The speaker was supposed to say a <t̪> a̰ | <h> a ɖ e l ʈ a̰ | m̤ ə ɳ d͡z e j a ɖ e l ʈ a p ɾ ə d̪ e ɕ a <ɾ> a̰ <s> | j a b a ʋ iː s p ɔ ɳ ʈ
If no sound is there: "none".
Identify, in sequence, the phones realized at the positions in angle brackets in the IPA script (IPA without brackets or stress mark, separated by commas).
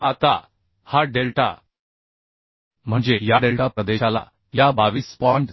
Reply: t̪, h, l, none